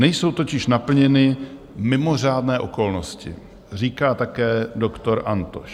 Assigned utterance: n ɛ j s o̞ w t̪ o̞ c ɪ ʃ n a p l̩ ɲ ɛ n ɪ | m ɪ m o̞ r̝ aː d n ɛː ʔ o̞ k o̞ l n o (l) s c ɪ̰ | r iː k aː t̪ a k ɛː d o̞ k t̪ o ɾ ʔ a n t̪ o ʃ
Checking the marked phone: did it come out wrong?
yes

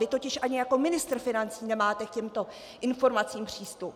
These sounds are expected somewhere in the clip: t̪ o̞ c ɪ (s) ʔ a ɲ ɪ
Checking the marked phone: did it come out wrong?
yes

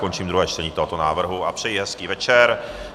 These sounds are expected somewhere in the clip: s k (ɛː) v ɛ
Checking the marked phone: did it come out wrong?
yes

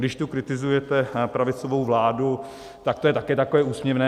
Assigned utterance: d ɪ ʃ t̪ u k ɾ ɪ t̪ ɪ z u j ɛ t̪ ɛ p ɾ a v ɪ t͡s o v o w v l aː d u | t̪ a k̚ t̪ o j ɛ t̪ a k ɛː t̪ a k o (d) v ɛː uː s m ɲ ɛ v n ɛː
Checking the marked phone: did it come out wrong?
yes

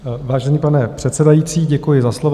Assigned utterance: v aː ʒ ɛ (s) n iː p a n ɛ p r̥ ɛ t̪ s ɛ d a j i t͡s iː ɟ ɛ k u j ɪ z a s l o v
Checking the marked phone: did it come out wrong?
yes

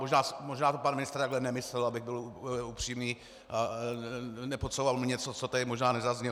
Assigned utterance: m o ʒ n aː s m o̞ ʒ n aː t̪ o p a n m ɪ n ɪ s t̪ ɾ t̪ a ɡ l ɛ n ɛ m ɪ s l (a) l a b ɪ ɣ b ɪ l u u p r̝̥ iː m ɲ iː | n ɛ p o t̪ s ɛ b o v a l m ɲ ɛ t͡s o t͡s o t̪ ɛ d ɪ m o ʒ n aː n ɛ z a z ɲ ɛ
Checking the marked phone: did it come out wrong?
yes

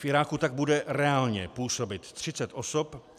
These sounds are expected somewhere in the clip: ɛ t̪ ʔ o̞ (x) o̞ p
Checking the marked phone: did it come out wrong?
yes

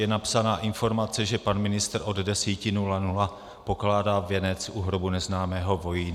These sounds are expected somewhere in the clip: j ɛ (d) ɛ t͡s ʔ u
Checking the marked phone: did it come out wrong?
yes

